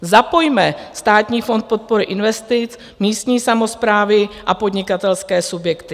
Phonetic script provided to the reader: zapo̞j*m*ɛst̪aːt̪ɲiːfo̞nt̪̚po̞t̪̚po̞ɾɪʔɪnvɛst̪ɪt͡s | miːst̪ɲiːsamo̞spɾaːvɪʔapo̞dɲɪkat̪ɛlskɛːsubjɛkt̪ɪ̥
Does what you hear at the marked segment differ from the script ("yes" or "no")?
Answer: no